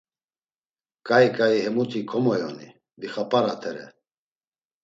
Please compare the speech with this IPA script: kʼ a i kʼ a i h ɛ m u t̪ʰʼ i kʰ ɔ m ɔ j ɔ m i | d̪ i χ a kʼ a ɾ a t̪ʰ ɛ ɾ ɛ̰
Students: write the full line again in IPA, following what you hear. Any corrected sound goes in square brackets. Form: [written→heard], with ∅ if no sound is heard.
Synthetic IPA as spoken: kʼ a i kʼ a i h ɛ m u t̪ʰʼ i kʰ ɔ m ɔ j ɔ [m→n] i | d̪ i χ a [kʼ→pʼ] a ɾ a t̪ʰ ɛ ɾ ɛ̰